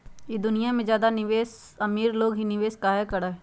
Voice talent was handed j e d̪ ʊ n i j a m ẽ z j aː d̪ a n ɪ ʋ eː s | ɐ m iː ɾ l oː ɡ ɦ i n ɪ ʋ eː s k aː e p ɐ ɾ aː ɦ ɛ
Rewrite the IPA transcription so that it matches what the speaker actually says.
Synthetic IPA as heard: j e d̪ ʊ n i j a m ẽ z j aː d̪ a n ɪ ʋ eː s | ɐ m iː ɾ l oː ɡ ɦ i n ɪ ʋ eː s k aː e k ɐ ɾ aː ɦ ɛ